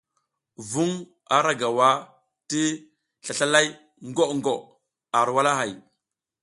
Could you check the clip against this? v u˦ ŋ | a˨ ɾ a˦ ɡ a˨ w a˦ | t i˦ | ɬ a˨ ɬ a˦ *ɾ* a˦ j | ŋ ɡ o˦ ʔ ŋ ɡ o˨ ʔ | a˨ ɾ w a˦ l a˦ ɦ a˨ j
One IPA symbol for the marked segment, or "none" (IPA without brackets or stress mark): l